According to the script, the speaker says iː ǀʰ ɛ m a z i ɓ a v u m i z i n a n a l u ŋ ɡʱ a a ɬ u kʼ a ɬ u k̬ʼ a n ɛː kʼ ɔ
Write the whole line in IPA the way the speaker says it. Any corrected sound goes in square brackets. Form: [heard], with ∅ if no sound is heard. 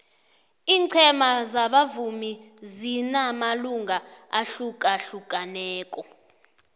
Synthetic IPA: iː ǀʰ ɛ m a z [a] ɓ a v u m i z i n a [m] a l u ŋ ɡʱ a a ɬ u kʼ a ɬ u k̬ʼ a n ɛː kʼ ɔ